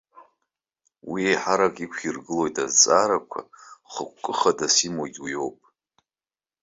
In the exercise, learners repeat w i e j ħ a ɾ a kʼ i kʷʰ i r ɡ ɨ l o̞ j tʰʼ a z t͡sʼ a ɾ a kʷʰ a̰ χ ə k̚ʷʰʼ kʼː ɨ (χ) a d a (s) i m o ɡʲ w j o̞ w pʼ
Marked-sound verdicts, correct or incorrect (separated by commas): correct, correct